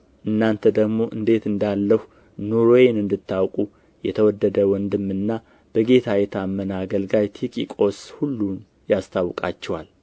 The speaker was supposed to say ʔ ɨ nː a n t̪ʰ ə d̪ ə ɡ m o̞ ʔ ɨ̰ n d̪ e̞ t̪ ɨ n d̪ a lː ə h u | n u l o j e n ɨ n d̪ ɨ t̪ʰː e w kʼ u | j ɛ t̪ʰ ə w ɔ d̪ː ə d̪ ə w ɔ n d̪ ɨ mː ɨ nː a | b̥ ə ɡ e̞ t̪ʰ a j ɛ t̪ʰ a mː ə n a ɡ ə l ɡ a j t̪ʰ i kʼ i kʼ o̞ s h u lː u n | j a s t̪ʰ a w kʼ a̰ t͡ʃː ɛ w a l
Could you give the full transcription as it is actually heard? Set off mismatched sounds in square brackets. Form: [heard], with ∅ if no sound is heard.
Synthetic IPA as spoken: ʔ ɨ nː a n t̪ʰ ə d̪ ə ɡ m o̞ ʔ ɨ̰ n d̪ e̞ t̪ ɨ n d̪ a lː ə h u | n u [ɾ] o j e n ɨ n d̪ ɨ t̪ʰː [a] w kʼ u | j ɛ t̪ʰ ə w ɔ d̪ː ə d̪ ə w ɔ n d̪ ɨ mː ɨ nː a | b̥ ə ɡ e̞ t̪ʰ a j ɛ t̪ʰ a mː ə n a ɡ ə l ɡ a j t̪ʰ i kʼ i kʼ o̞ s h u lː u n | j a s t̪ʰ a w kʼ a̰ t͡ʃː ɛ w a l